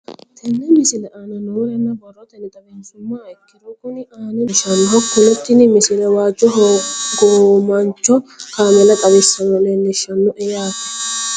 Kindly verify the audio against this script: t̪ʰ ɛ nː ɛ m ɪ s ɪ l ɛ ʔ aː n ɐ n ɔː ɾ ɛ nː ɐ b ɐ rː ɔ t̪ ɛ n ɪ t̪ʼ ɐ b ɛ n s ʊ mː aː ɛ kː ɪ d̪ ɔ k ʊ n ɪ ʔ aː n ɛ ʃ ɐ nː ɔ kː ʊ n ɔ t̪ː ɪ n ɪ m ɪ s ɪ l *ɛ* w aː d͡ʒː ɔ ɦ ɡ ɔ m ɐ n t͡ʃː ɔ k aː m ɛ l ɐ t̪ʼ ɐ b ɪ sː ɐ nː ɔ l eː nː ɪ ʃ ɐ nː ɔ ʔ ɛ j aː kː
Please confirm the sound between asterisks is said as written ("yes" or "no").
yes